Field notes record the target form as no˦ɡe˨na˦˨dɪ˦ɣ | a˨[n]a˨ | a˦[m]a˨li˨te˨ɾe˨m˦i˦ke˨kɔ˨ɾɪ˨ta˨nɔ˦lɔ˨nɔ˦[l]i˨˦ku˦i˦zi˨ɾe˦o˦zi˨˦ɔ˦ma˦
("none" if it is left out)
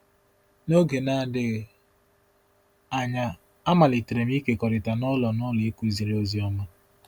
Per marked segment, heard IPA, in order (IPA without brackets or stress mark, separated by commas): ɲ, m, l